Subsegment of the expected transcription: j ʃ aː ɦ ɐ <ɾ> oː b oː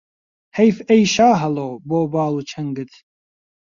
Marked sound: incorrect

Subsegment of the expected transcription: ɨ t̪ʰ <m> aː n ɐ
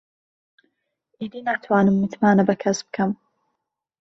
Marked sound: correct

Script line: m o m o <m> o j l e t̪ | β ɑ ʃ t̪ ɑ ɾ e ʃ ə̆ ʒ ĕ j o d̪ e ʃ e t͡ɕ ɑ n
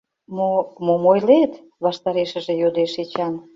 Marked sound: correct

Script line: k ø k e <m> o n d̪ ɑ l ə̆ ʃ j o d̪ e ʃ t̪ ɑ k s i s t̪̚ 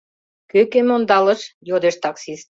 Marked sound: correct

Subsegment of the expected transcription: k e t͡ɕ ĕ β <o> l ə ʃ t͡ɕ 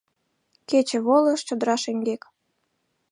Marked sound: correct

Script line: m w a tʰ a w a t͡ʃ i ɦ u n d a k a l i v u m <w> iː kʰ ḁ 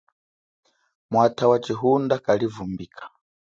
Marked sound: incorrect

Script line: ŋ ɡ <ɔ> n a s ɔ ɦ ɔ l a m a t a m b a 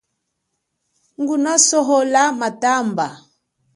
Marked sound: incorrect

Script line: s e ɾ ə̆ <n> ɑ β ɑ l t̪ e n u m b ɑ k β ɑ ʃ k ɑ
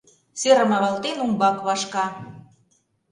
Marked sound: incorrect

